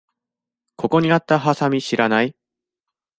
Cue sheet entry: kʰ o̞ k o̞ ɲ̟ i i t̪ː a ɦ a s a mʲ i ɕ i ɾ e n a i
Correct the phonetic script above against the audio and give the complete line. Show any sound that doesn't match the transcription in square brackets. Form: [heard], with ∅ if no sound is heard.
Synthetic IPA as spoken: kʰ o̞ k o̞ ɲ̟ i [a] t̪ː a ɦ a s a mʲ i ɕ i ɾ [a] n a i